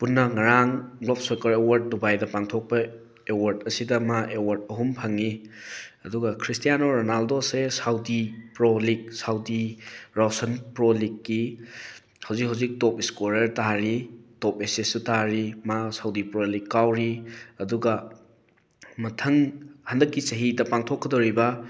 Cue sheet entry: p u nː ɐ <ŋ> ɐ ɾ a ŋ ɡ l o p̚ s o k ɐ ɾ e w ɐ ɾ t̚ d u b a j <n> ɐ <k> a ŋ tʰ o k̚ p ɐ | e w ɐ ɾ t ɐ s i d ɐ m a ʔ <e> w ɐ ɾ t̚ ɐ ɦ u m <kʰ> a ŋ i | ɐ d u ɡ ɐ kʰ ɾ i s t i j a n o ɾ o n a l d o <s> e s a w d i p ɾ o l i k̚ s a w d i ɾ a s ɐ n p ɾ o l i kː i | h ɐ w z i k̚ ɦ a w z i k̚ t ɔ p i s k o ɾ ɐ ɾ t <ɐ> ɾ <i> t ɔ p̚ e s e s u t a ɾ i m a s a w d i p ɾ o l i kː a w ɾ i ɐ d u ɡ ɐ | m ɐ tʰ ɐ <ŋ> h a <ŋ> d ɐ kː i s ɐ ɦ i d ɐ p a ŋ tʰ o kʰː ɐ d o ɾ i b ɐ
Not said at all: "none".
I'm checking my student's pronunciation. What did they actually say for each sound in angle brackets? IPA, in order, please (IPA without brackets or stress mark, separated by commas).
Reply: ŋ, d, p, e, pʰ, s, a, i, ŋ, n